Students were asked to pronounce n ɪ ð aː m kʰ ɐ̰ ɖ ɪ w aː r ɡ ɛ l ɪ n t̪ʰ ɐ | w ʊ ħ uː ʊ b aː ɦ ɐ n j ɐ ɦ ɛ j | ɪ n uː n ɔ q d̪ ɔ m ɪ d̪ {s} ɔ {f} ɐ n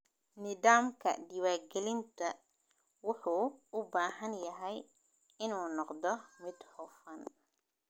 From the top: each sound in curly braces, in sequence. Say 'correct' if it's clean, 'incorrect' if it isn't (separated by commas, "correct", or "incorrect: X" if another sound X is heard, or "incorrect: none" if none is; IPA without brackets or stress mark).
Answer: incorrect: h, correct